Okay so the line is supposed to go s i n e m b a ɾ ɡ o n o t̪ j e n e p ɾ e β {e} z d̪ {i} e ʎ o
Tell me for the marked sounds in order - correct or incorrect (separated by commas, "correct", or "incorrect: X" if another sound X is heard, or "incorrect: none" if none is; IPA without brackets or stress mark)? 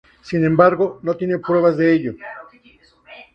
incorrect: a, incorrect: e